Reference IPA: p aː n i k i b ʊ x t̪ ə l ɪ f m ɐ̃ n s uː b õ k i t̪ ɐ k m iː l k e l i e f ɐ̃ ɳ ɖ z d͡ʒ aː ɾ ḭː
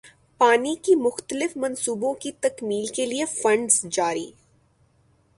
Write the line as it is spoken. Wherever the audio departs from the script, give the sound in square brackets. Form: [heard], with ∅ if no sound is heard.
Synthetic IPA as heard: p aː n i k i [m] ʊ x t̪ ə l ɪ f m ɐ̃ n s uː b õ k i t̪ ɐ k m iː l k e l i e f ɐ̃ ɳ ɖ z d͡ʒ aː ɾ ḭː

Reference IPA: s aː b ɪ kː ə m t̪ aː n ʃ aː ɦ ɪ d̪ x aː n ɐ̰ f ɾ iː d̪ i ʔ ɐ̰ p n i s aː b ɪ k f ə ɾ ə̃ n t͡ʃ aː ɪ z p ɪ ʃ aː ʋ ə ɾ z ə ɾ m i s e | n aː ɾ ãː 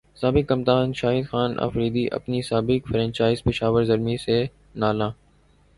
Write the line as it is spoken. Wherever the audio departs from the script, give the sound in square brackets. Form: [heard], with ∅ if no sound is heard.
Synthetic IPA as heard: s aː b ɪ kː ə m t̪ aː n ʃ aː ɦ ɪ d̪ x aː n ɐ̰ f ɾ iː d̪ i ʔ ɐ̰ p n i s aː b ɪ k f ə ɾ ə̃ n t͡ʃ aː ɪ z p ɪ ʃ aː ʋ ə ɾ z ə ɾ m i s e | n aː [l] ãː

